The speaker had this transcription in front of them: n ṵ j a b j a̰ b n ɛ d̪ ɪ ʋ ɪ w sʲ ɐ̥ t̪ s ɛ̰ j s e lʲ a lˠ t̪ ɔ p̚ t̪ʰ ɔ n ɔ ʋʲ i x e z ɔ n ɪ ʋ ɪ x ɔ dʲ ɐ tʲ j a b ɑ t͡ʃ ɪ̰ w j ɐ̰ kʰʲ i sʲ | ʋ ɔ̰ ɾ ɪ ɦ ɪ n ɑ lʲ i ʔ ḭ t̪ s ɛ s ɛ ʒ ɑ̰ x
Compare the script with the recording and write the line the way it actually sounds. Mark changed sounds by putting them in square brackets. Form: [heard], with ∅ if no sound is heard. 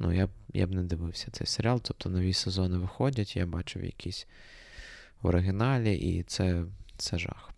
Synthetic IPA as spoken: n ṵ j a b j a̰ b n ɛ d̪ ɪ ʋ ɪ w sʲ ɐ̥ t̪ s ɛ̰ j s e [ɾʲ] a lˠ t̪ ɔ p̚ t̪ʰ ɔ n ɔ ʋʲ i [s] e z ɔ n ɪ ʋ ɪ x ɔ dʲ ɐ tʲ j a b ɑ t͡ʃ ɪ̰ w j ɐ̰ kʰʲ i sʲ | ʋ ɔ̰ ɾ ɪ ɦ ɪ n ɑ lʲ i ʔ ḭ t̪ s ɛ s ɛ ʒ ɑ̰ x